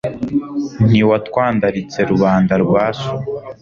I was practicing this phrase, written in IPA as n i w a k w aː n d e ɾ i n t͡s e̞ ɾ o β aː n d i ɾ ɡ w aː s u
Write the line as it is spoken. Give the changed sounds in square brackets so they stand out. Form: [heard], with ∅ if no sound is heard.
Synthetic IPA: n i w a [t] w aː n d [a] ɾ i [∅] t͡s e̞ ɾ [u] β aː n d [a] ɾ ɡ w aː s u